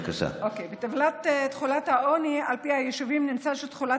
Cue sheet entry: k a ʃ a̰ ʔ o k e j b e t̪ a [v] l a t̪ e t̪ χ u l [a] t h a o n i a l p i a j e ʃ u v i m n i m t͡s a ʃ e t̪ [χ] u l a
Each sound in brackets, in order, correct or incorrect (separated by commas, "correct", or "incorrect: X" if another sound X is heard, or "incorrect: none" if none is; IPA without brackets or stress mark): correct, correct, correct